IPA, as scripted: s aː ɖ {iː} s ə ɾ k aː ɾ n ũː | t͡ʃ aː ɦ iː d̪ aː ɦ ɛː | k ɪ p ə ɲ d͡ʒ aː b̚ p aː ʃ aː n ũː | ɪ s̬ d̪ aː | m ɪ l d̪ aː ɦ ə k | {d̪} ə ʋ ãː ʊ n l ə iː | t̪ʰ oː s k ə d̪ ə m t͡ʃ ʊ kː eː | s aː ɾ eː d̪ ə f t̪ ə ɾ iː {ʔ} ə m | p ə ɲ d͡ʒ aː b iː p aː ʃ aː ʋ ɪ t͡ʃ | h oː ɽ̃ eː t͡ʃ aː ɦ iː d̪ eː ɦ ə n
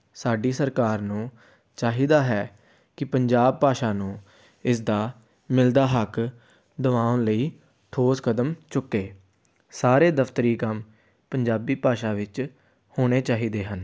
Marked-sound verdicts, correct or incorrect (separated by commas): correct, correct, incorrect